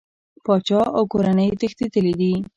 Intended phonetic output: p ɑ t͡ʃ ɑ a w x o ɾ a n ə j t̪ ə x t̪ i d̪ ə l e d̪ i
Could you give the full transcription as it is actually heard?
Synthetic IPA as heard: p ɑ t͡ʃ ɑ a w k o ɾ a n ə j t̪ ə x t̪ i t̪ ə l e d̪ i